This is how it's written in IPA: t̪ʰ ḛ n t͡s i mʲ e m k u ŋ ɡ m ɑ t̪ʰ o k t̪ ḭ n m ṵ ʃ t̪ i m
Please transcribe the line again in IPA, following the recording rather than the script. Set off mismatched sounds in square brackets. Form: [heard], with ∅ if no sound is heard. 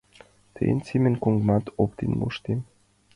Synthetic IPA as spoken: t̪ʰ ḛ n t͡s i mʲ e [n] k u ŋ ɡ m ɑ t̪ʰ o [p] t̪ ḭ n m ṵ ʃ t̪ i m